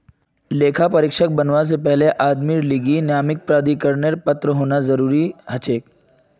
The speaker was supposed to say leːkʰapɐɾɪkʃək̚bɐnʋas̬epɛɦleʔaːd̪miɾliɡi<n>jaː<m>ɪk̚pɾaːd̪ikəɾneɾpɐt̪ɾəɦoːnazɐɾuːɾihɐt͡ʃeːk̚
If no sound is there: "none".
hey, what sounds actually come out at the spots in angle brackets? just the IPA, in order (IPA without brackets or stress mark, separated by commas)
n, m